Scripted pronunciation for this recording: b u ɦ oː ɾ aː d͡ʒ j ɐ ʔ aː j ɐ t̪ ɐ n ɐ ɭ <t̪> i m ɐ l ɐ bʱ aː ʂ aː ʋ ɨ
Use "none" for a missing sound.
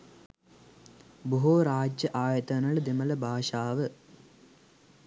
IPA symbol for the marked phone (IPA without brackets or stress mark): d̪